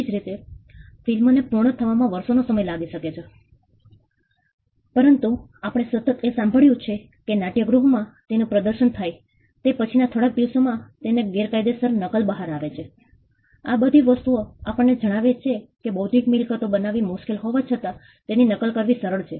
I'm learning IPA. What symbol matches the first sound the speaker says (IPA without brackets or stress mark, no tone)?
d͡ʒ